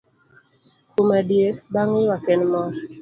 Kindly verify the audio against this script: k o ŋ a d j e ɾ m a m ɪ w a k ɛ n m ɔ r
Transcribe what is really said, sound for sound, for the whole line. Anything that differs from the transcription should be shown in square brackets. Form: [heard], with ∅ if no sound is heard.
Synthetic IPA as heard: k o [m] a d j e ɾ [b] a [ŋ] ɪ w a k ɛ n m ɔ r